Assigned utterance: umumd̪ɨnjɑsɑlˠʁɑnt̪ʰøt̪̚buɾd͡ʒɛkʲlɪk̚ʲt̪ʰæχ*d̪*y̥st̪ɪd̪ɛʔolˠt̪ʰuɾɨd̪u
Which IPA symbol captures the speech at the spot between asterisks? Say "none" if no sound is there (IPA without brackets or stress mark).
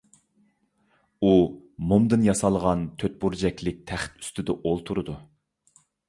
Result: t̪